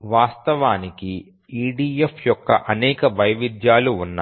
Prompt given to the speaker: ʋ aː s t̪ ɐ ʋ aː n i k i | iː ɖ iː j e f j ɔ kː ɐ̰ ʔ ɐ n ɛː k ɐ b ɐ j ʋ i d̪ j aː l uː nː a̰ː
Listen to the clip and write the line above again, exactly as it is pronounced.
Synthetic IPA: ʋ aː s t̪ ɐ ʋ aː n i k i | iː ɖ iː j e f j ɔ kː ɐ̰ ʔ ɐ n ɛː k ɐ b ɐ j ʋ i d̪ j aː l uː nː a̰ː